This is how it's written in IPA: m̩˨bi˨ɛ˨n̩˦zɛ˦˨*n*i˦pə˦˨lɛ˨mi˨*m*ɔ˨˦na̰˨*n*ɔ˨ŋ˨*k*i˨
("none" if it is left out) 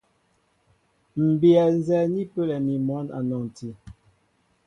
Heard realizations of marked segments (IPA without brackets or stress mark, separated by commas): n, m, n, t